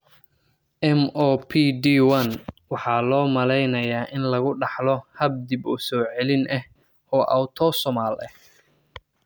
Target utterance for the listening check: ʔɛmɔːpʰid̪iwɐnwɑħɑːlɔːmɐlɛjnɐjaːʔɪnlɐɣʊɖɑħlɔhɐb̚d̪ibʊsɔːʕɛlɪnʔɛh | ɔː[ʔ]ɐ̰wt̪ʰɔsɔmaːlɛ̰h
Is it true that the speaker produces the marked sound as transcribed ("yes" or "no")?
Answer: yes